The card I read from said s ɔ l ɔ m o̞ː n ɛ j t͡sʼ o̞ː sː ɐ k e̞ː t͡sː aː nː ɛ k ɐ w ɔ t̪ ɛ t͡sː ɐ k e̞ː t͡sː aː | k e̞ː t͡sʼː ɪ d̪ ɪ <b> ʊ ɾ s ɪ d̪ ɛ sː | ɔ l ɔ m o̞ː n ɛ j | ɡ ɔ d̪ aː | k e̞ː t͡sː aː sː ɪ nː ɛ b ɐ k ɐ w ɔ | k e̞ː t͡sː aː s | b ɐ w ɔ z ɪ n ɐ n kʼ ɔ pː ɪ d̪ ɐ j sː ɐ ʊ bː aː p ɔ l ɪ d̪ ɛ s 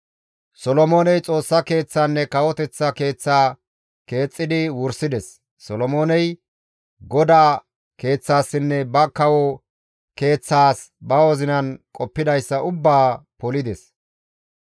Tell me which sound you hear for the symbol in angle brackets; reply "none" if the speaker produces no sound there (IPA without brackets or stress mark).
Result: w